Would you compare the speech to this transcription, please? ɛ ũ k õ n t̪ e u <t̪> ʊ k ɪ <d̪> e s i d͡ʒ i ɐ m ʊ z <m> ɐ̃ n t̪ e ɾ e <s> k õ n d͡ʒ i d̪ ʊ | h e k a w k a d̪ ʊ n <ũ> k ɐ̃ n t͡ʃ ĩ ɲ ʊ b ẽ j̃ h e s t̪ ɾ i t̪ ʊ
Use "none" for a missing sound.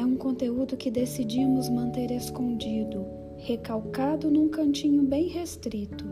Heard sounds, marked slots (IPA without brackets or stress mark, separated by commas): d̪, d̪, m, s, ũ